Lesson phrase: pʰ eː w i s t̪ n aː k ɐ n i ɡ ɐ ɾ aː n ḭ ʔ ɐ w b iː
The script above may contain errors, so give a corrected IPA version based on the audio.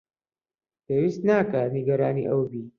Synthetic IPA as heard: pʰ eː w i s t̪ n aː k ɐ n i ɡ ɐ ɾ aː n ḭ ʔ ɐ w b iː